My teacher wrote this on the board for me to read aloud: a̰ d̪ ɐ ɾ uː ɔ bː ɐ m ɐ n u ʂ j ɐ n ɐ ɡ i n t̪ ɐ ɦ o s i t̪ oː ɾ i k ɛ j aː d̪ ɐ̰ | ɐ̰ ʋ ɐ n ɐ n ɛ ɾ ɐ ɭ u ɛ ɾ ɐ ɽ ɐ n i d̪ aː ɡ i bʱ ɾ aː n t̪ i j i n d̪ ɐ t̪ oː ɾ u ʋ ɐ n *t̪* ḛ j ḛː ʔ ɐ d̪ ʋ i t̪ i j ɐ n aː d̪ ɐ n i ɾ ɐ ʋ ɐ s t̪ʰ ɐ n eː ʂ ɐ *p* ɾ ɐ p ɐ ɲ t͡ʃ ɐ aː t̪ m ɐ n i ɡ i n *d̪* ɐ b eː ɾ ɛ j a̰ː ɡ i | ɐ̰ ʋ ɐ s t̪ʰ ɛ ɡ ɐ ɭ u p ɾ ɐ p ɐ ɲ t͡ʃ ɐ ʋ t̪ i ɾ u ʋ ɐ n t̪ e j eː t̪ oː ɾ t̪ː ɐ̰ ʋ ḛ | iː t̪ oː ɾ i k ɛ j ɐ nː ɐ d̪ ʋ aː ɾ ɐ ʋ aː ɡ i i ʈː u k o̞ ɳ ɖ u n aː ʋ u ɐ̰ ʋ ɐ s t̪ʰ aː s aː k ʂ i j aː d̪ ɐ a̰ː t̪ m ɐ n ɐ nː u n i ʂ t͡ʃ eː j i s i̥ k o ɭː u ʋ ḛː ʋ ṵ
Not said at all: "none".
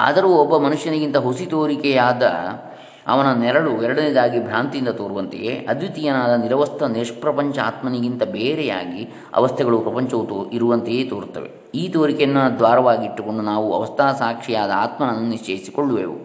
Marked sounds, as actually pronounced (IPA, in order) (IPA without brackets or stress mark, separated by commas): t̪, p, t̪